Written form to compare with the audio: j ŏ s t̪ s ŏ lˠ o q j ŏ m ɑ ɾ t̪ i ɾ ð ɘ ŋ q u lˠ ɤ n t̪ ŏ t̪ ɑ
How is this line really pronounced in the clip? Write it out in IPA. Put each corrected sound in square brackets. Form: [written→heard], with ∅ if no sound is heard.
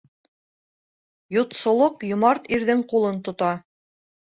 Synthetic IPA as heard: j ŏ [s→∅] t̪ s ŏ lˠ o q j ŏ m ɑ ɾ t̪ i ɾ ð ɘ ŋ q u lˠ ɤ n t̪ ŏ t̪ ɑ